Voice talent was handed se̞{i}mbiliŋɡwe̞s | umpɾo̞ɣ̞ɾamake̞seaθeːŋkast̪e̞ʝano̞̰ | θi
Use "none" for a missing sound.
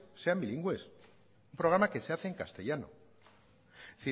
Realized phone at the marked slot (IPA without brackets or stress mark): a